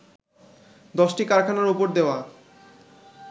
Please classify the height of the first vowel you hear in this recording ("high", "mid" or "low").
mid